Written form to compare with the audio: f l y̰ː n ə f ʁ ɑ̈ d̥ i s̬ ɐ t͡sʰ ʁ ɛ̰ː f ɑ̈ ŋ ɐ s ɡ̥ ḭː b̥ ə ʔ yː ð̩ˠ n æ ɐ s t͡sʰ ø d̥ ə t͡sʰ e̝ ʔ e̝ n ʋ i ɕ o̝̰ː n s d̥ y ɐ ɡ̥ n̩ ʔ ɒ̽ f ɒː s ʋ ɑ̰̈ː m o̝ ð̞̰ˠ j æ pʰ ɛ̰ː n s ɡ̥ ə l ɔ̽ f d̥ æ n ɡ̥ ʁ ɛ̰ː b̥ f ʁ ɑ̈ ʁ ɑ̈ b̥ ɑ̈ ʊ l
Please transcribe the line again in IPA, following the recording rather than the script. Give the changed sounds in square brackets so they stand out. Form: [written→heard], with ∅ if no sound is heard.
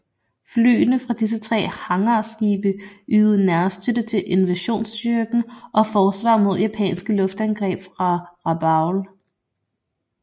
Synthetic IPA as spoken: f l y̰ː n ə f ʁ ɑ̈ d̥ i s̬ [ɐ→ə] t͡sʰ ʁ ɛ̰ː [f→h] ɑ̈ ŋ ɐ s ɡ̥ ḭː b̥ ə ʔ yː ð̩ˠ n æ ɐ s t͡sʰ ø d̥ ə t͡sʰ e̝ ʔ e̝ n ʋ [i→æ] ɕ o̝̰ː n s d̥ y ɐ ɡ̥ n̩ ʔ ɒ̽ f ɒː s ʋ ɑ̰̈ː m o̝ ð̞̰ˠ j æ pʰ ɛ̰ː n s ɡ̥ ə l ɔ̽ f d̥ æ n ɡ̥ ʁ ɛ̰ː b̥ f ʁ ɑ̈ ʁ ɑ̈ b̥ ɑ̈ ʊ l